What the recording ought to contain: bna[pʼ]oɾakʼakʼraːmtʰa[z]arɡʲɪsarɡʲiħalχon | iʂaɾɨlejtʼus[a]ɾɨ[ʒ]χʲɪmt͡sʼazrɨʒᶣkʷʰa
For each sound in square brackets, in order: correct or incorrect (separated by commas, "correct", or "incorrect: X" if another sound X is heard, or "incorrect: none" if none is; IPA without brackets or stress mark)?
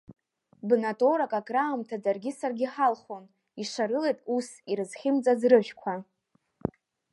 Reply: incorrect: tʼ, incorrect: d͡z, incorrect: i, incorrect: z